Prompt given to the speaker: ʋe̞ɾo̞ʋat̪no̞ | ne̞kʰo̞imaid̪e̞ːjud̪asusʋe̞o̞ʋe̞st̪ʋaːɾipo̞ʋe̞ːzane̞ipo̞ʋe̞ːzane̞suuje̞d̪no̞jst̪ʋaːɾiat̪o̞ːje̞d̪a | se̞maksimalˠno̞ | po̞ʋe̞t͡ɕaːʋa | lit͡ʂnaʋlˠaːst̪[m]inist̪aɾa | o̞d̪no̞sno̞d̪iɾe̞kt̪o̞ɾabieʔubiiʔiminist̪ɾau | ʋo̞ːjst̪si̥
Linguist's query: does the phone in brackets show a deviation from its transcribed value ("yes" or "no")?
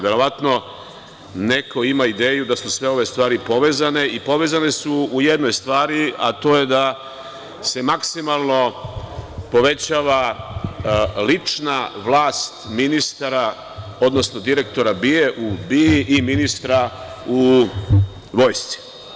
no